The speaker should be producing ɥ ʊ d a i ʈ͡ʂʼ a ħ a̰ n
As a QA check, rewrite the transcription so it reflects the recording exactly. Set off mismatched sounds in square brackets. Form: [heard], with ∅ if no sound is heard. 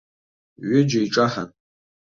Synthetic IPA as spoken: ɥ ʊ [d͡ʒ] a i ʈ͡ʂʼ a ħ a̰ n